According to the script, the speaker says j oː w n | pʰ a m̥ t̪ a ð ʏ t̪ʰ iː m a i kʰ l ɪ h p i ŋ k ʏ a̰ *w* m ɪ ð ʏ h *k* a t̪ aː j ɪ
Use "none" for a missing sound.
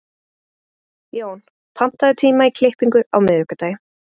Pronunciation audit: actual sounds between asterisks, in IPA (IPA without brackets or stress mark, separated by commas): w, k